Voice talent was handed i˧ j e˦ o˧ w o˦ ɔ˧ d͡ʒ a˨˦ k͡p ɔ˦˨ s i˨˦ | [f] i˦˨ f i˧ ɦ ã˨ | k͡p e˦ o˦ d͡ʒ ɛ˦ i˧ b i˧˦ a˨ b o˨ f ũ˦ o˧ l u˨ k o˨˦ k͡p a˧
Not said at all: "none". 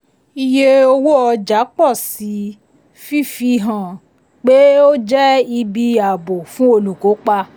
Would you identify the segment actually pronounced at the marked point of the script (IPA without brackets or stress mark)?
f